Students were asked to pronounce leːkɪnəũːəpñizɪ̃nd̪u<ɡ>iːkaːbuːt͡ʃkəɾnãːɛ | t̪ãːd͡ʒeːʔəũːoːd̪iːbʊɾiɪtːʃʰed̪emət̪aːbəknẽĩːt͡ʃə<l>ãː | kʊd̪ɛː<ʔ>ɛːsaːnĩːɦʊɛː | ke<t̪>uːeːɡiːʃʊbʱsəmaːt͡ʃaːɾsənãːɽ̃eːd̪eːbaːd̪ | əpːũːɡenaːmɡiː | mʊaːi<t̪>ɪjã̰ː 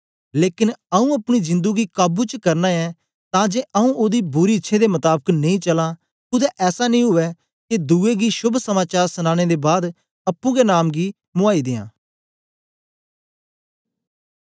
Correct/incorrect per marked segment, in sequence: correct, correct, correct, incorrect: d̪, incorrect: d̪

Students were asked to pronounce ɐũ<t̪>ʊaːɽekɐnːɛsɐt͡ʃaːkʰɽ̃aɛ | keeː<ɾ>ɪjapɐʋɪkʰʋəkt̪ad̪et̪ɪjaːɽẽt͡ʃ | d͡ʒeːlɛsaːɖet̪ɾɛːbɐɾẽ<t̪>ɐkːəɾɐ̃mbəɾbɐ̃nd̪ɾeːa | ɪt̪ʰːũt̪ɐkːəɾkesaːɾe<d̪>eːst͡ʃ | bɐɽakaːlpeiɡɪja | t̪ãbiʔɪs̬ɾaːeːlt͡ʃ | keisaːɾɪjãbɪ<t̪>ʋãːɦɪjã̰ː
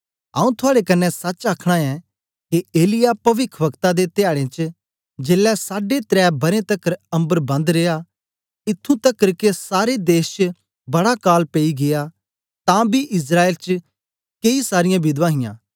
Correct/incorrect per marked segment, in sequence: incorrect: t̪ʰ, incorrect: l, correct, correct, incorrect: d̪

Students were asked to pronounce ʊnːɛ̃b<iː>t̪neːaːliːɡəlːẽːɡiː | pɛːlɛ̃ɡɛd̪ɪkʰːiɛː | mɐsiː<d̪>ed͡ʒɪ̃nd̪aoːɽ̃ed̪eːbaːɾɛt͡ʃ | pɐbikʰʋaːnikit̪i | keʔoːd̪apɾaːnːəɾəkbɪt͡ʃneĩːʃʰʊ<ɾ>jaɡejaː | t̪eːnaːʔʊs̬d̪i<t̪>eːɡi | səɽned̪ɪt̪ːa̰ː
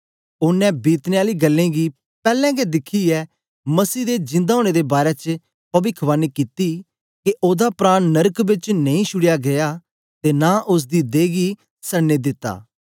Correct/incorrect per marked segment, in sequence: correct, correct, incorrect: ɽ, incorrect: d̪

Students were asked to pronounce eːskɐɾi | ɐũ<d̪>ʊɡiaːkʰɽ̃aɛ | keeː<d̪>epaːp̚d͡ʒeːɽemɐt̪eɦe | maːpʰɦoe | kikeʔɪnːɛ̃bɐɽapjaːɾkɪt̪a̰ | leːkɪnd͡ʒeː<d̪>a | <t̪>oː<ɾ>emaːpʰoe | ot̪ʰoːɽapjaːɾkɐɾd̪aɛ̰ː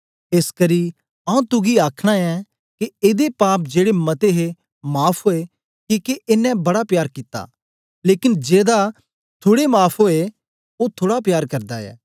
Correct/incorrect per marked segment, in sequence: incorrect: t̪, correct, correct, incorrect: t̪ʰ, incorrect: ɽ

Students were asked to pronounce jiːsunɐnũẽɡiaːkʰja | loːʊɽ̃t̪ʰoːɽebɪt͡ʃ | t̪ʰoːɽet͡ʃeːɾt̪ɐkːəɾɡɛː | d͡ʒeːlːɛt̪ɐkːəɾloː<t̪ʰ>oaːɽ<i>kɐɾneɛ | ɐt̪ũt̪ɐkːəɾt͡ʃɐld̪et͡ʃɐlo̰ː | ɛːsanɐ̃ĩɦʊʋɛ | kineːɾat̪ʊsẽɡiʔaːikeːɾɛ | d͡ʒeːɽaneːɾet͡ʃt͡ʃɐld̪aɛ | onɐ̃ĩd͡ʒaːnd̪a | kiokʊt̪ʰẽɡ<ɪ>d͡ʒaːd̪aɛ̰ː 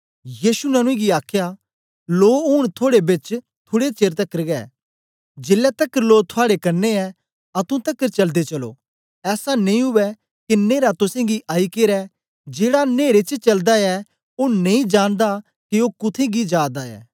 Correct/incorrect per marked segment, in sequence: correct, incorrect: e, incorrect: i

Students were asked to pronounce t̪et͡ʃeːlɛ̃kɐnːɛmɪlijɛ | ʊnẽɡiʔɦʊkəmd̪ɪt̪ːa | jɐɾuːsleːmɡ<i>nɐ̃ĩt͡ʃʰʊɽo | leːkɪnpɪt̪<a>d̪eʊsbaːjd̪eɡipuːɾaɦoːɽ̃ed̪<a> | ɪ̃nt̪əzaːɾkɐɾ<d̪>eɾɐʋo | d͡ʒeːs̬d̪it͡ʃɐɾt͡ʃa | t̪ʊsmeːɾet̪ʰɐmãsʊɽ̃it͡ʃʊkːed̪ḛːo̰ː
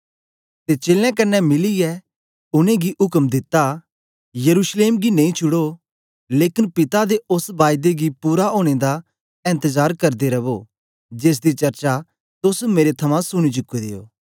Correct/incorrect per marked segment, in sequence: correct, correct, correct, correct

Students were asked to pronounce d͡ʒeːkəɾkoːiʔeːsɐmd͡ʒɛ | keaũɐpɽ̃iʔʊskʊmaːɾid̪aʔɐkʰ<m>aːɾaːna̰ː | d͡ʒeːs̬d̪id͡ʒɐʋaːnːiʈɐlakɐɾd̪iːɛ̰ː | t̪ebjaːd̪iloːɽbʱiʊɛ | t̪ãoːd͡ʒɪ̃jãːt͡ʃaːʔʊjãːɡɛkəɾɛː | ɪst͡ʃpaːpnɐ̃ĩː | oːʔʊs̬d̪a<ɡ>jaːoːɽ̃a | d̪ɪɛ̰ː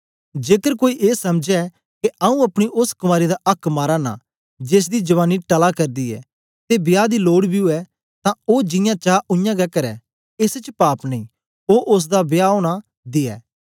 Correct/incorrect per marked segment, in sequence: correct, incorrect: b

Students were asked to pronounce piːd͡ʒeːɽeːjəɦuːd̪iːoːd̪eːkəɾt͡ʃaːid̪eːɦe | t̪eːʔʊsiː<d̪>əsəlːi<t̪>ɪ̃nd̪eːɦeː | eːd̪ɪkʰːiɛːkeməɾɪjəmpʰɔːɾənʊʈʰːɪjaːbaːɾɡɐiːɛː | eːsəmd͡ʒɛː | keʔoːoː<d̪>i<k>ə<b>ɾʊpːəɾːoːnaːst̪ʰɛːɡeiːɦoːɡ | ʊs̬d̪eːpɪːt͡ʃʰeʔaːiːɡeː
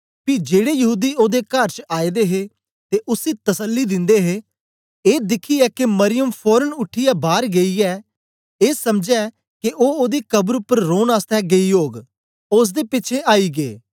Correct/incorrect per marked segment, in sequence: incorrect: t̪, incorrect: d̪, correct, correct, correct

